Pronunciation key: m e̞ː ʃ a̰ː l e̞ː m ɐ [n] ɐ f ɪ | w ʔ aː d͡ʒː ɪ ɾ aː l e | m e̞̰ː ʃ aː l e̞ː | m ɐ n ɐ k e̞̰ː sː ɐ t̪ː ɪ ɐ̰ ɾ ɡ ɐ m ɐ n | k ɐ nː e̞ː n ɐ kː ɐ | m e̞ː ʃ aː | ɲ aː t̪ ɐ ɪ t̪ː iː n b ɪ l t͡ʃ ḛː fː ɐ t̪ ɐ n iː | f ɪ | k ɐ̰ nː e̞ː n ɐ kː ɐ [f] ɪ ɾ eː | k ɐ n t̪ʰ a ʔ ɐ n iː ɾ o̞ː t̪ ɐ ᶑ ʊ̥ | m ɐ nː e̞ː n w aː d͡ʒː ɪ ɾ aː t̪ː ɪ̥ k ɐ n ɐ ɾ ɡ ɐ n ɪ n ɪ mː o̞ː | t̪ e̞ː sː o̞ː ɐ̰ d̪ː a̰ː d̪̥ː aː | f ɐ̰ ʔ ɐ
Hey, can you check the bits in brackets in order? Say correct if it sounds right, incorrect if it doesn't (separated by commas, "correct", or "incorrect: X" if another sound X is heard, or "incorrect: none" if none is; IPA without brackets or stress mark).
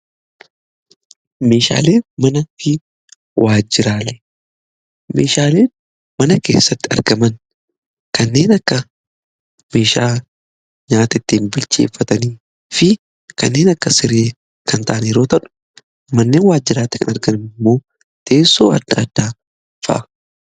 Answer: correct, incorrect: s